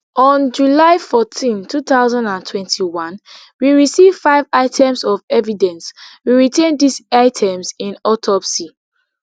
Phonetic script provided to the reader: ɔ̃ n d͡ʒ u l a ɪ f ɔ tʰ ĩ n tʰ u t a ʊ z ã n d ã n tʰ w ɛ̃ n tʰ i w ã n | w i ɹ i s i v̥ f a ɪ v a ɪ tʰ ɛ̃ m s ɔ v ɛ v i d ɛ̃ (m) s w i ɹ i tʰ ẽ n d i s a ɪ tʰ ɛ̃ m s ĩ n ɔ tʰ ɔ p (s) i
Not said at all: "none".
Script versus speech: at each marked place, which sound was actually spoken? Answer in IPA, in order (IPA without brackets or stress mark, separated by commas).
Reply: n, s